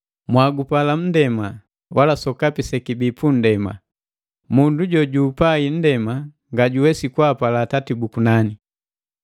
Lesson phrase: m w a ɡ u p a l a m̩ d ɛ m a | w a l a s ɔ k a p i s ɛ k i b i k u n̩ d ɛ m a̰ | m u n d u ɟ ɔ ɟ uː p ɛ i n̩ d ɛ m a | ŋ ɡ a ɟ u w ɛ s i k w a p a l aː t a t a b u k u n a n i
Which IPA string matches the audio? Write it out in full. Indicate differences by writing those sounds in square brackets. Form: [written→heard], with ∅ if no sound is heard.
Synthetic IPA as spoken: m w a ɡ u p a l a m̩ d ɛ m a | w a l a s ɔ k a p i s ɛ k i b i [k→p] u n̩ d ɛ m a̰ | m u n d u ɟ ɔ ɟ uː p [ɛ→a] i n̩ d ɛ m a | ŋ ɡ a ɟ u w ɛ s i k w a p a l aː t a t [a→i] b u k u n a n i